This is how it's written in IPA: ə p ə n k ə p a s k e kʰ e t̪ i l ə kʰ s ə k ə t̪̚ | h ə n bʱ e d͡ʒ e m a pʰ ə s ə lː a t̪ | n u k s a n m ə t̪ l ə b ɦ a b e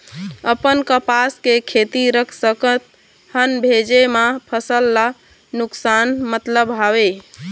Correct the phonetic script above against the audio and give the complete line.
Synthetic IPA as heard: ə p ə n k ə p a s k e kʰ e t̪ i ɾ ə kʰ s ə k ə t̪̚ | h ə n bʱ e d͡ʒ e m a pʰ ə s ə lː a | n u k s a n m ə t̪ l ə b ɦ a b e